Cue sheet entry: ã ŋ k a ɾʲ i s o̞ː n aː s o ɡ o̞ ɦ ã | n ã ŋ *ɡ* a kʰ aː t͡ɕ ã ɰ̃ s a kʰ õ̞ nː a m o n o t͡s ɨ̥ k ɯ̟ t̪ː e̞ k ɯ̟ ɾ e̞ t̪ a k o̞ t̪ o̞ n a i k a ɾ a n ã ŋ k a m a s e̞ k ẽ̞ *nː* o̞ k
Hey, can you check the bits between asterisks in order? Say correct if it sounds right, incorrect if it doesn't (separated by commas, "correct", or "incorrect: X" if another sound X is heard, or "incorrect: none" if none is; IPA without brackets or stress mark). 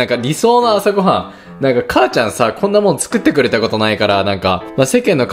incorrect: k, correct